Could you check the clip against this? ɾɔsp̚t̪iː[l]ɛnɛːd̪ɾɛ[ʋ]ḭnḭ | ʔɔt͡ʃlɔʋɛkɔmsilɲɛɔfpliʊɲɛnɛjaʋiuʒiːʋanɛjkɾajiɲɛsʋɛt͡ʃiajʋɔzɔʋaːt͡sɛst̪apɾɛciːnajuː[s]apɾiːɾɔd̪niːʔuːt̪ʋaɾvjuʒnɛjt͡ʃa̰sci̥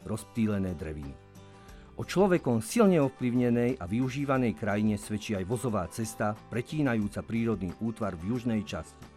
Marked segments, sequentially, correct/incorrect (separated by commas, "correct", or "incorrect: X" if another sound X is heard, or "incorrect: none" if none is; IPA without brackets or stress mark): correct, correct, incorrect: t͡s